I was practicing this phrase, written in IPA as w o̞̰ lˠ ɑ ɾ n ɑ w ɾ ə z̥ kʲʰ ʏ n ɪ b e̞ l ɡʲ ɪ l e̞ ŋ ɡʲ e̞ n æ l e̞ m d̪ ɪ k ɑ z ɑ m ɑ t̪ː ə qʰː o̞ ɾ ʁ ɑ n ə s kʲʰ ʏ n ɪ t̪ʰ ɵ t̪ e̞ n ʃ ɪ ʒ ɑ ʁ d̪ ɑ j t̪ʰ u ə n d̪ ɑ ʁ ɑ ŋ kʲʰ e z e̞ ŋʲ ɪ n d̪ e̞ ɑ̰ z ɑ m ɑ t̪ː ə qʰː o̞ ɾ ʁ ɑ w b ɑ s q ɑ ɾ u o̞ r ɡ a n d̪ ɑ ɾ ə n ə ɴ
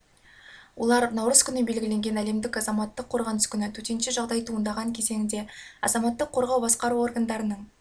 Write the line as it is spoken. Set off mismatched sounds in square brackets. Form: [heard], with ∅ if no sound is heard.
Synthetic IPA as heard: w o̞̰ lˠ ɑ ɾ n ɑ w ɾ ə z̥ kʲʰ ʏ n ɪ b e̞ l ɡʲ ɪ l e̞ ŋ ɡʲ e̞ n æ l e̞ m d̪ ɪ k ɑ z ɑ m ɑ t̪ː ə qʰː o̞ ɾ ʁ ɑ n ə s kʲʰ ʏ n ɪ t̪ʰ ɵ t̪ e̞ n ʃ ɪ ʒ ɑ ʁ d̪ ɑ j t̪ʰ u ə n d̪ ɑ ʁ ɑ ŋ kʲʰ e z e̞ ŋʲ ɪ n d̪ e̞ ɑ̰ z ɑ m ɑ t̪ː ə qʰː o̞ ɾ ʁ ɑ w b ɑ s q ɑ ɾ u o̞ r ɡ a n d̪ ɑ ɾ ə n ə ɴ